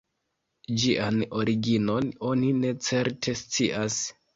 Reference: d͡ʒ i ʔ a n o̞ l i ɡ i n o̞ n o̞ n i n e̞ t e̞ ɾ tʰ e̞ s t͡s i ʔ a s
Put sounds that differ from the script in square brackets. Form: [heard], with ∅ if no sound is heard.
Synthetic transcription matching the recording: d͡ʒ i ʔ a n o̞ [ɾ] i ɡ i n o̞ n o̞ n i n e̞ [t͡s] e̞ ɾ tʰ e̞ s t͡s i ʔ a s